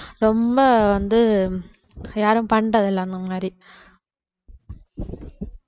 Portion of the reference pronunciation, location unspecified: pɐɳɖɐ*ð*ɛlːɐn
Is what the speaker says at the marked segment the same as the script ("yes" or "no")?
yes